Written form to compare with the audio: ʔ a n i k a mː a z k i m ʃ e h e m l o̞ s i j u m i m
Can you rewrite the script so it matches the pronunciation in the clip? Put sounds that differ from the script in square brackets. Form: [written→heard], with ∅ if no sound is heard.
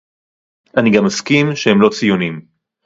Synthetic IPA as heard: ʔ a n i [k→ɡ] a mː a [z→s] k i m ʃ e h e m l o̞ [s→t͡s] i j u [m→n] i m